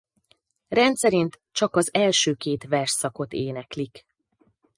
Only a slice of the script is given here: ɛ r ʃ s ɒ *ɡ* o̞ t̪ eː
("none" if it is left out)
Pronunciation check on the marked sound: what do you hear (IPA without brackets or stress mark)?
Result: k